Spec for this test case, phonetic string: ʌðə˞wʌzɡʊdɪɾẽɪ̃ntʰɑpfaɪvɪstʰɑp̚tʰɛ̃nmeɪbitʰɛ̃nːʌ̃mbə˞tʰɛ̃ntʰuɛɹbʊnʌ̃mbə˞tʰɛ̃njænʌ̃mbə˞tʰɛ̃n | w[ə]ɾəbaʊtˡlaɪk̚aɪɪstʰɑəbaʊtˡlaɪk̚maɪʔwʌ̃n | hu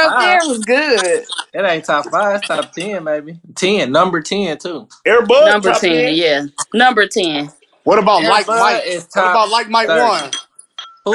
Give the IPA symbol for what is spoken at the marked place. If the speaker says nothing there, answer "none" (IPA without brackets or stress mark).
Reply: ʌ